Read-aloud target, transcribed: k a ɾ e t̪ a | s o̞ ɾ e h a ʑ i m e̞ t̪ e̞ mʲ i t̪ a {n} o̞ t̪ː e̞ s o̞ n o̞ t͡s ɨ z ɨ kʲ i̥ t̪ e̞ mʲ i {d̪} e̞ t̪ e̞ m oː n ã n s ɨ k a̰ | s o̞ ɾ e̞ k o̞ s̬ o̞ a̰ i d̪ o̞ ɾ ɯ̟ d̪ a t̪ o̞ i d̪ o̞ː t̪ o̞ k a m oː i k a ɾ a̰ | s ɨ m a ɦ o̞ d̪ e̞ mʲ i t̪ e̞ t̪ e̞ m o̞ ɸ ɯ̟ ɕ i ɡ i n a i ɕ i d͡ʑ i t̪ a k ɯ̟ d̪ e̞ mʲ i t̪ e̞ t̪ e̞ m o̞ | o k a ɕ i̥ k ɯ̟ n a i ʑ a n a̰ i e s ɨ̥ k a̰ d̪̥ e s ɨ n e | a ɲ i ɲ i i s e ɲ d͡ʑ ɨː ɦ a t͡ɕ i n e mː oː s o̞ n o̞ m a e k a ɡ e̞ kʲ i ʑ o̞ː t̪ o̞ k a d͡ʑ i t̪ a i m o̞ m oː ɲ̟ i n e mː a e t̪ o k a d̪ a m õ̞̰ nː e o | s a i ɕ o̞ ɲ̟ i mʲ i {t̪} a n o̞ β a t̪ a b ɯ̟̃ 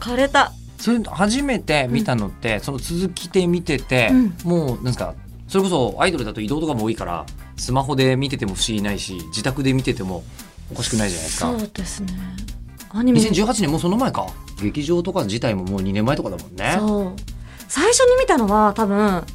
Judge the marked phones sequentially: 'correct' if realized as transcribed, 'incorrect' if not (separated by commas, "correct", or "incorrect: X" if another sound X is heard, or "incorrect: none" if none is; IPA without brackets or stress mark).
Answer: correct, incorrect: t̪, correct